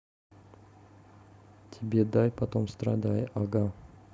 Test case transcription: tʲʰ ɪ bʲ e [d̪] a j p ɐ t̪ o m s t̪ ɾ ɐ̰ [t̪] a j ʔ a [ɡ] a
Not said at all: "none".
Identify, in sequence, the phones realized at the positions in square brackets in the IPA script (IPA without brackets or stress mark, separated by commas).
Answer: d̪, d̪, ɡ